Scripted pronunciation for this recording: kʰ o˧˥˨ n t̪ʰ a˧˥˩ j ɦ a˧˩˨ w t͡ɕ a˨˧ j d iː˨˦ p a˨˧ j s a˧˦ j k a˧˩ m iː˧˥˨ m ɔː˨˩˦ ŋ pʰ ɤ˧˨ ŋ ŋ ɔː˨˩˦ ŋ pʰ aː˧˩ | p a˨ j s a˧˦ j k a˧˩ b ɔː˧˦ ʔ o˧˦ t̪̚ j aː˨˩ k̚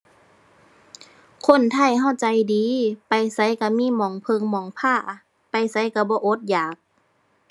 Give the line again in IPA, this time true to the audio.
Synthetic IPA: kʰ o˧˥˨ n t̪ʰ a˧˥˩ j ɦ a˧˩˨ w t͡ɕ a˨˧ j d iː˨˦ p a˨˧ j s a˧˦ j k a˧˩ m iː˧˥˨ m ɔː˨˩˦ ŋ pʰ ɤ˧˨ ŋ m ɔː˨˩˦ ŋ pʰ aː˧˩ | p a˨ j s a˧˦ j k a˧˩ b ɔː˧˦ ʔ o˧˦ t̪̚ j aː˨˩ k̚

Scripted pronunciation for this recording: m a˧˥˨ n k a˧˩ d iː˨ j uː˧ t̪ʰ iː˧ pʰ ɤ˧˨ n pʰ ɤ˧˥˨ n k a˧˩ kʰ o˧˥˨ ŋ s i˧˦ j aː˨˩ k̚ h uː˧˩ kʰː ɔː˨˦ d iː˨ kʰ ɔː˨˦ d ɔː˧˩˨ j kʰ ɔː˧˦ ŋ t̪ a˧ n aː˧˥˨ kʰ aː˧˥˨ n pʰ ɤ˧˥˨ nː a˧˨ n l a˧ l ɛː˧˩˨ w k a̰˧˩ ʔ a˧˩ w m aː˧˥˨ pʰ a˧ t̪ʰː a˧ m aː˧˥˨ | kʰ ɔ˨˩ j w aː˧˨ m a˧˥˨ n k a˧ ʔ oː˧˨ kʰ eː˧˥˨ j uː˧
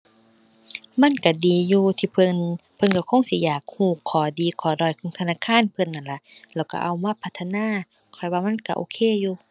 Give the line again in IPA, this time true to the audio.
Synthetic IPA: m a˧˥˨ n k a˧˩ d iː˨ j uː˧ t̪ʰ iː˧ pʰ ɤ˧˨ n pʰ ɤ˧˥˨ n k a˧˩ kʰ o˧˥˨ ŋ s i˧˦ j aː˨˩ k̚ h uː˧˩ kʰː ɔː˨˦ d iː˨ kʰ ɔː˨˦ d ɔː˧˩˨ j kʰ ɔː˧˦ ŋ t̪ʰ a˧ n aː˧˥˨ kʰ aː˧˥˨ n pʰ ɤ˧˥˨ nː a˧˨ n l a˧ l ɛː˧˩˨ w k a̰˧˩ ʔ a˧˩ w m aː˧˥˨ pʰ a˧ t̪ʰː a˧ n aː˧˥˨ | kʰ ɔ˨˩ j w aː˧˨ m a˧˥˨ n k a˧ ʔ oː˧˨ kʰ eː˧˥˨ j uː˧

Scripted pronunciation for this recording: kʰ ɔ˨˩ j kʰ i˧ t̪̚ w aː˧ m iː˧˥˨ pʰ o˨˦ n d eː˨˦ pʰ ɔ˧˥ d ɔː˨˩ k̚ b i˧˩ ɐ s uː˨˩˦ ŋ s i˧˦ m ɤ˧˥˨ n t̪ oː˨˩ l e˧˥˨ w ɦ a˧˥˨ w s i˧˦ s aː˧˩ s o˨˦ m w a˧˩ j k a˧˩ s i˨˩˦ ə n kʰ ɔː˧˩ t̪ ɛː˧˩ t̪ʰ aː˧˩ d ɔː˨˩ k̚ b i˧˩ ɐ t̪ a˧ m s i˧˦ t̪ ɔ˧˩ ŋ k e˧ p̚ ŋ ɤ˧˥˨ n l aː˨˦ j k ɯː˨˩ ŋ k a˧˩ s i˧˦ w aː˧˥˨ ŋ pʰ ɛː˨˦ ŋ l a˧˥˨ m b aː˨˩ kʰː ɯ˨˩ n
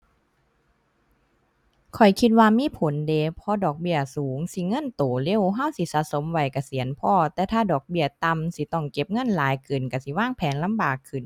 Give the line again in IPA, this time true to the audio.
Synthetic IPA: kʰ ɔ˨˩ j kʰ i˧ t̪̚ w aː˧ m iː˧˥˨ pʰ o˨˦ n d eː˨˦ pʰ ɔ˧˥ d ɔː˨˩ k̚ b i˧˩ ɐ s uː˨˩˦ ŋ s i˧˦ ŋ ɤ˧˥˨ n t̪ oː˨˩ l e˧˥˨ w ɦ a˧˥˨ w s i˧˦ s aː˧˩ s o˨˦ m w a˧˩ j k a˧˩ s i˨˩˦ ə n pʰ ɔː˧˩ t̪ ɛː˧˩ t̪ʰ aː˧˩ d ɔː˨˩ k̚ b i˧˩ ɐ t̪ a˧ m s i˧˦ t̪ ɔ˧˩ ŋ k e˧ p̚ ŋ ɤ˧˥˨ n l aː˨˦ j k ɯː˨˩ n k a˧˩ s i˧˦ w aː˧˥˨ ŋ pʰ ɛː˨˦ n l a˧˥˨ m b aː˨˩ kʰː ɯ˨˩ n

